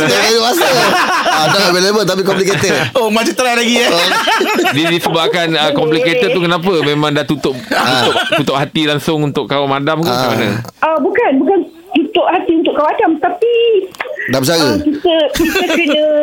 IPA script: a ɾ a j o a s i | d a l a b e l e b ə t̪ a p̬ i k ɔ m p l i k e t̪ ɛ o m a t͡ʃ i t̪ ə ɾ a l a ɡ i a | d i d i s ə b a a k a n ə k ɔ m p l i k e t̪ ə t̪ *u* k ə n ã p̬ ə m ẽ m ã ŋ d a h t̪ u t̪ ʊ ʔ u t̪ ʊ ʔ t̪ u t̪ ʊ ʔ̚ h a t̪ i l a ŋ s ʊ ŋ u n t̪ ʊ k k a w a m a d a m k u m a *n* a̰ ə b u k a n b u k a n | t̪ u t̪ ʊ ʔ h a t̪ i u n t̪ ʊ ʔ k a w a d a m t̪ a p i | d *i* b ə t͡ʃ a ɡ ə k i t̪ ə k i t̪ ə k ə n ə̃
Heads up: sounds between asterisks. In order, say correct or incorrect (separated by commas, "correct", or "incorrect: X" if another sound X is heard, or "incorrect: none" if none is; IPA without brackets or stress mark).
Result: correct, correct, incorrect: a